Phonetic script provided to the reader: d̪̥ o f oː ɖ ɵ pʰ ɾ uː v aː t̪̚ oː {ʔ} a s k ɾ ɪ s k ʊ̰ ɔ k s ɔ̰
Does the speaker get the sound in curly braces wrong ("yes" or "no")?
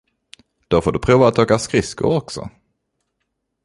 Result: yes